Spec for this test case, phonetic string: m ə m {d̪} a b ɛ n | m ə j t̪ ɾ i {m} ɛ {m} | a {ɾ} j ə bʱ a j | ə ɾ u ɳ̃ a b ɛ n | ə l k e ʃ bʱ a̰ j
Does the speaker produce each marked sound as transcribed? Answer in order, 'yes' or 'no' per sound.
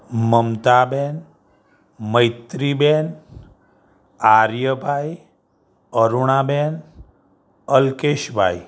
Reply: no, no, no, yes

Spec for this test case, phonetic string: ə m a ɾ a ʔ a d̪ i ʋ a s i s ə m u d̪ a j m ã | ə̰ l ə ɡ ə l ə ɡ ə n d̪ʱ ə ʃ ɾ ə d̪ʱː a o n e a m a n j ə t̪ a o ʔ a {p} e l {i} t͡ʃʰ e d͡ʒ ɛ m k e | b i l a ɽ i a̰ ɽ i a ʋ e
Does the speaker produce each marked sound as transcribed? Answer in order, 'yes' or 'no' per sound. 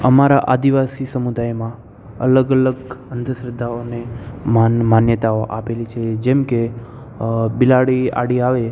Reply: yes, yes

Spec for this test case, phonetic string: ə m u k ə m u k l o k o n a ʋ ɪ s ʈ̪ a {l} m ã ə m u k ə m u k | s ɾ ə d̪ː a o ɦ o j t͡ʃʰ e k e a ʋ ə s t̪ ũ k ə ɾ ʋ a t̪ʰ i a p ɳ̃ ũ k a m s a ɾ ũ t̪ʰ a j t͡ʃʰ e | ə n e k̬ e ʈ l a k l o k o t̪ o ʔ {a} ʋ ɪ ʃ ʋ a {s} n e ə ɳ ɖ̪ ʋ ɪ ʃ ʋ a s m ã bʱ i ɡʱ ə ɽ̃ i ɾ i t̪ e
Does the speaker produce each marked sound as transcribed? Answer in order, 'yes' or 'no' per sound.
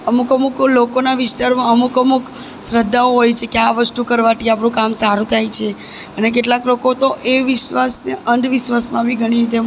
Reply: no, no, yes

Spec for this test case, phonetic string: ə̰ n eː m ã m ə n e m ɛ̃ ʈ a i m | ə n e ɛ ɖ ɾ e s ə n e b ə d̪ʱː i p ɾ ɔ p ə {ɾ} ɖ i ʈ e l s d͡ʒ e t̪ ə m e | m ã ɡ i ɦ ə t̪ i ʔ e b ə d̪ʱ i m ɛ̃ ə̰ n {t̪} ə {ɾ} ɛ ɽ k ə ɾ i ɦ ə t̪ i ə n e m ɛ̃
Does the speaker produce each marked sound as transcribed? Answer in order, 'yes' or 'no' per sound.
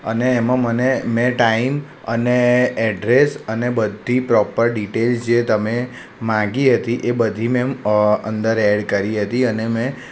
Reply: yes, no, yes

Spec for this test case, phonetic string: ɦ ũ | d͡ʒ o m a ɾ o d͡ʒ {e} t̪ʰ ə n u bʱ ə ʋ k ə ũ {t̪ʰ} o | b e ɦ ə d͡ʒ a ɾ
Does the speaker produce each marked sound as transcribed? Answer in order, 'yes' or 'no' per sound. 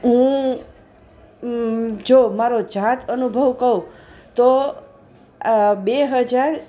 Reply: no, no

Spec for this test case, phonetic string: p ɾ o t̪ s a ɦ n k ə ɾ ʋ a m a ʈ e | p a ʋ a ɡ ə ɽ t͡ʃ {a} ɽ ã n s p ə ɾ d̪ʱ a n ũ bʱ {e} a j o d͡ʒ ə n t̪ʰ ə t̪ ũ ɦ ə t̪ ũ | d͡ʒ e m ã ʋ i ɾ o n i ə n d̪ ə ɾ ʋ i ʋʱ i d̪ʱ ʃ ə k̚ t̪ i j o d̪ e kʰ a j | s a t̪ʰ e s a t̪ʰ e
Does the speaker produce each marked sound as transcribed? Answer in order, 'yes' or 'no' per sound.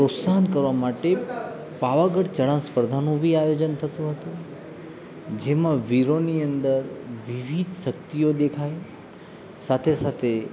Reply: no, no

